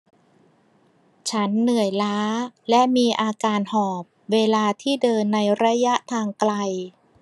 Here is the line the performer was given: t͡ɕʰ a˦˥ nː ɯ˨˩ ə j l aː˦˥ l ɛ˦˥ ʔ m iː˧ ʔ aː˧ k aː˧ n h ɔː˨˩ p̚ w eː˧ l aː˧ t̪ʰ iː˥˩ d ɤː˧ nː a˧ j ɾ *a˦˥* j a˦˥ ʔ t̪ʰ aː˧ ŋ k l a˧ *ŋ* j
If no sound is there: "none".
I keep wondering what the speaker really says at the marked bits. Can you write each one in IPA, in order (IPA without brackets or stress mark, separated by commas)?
a˦˥, none